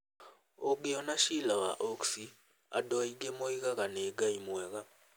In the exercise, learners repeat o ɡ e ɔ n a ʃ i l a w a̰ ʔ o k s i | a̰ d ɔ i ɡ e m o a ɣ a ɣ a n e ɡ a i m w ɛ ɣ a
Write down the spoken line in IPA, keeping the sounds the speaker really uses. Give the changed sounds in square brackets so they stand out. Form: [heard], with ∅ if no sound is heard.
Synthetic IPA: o ɡ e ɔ n a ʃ i l a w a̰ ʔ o k s i | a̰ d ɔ i ɡ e m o [i] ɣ a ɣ a n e ɡ a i m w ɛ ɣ a